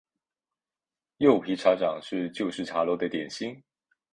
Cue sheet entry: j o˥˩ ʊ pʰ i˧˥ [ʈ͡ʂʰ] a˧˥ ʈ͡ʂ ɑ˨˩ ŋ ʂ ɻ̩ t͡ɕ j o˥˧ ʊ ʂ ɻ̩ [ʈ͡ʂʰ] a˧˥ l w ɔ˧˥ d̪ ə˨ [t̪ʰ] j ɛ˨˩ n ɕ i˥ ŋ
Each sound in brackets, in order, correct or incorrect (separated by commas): correct, correct, incorrect